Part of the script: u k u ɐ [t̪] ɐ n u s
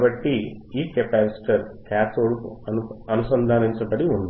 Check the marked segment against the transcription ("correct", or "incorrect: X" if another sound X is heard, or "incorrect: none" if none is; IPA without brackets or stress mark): incorrect: none